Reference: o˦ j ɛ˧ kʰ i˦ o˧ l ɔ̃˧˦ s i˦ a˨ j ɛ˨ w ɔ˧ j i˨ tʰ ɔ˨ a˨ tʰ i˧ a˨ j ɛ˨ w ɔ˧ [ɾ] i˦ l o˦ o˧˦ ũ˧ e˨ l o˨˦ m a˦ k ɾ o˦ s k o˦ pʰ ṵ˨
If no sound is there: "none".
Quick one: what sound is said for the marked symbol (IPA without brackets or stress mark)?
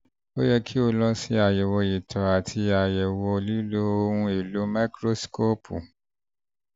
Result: l